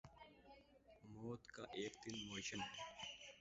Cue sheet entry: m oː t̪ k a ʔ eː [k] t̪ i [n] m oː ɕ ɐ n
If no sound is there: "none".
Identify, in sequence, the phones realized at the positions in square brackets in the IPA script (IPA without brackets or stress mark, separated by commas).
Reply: k, n